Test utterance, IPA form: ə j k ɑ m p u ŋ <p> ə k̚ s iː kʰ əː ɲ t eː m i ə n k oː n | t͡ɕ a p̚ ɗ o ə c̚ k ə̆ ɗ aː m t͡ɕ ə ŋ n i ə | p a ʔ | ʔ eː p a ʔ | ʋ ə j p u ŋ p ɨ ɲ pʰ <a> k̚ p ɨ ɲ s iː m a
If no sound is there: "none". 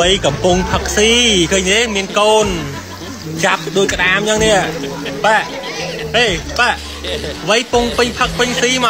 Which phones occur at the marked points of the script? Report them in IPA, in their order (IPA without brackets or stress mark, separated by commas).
pʰ, ə